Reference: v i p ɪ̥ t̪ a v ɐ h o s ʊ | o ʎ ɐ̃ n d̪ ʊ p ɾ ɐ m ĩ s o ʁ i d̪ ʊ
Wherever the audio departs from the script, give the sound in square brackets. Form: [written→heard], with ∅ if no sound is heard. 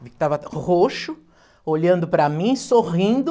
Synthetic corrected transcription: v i [p→k] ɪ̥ t̪ a v ɐ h o [s→ʃ] ʊ | o ʎ ɐ̃ n d̪ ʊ p ɾ ɐ m ĩ s o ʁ [i→ĩ] d̪ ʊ